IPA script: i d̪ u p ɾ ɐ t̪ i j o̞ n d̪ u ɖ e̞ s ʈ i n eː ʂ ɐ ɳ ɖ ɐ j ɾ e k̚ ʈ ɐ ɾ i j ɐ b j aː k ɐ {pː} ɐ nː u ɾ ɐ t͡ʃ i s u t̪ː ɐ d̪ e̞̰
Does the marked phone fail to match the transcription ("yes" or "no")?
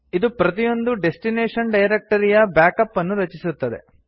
no